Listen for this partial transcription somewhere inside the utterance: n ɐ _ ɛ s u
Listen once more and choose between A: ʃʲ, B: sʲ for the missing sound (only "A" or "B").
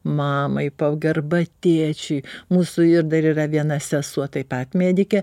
B